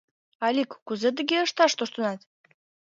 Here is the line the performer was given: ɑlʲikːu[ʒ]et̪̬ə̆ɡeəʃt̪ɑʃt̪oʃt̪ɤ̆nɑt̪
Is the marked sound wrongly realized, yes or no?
yes